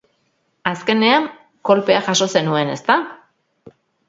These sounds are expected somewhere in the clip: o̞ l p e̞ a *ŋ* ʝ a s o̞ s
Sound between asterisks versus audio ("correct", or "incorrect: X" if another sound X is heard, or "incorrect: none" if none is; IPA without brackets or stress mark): incorrect: none